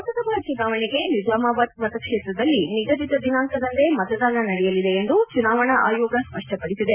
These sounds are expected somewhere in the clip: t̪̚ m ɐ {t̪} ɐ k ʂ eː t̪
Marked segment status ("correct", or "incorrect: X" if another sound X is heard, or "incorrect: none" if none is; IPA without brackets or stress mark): correct